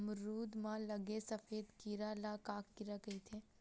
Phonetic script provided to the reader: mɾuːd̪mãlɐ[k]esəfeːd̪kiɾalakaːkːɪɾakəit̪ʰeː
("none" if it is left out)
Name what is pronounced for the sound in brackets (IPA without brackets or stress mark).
ɡ